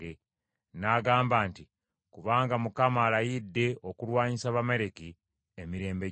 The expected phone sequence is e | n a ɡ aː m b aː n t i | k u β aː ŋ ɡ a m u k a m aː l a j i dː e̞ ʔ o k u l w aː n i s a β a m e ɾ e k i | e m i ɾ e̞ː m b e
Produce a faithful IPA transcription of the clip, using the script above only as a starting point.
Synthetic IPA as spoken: e | n a ɡ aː m b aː n t i | k u β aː ŋ ɡ a m u k a m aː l a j i dː e̞ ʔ o k u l w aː ɲ i s a β a m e ɾ e k i | e m i ɾ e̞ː m b e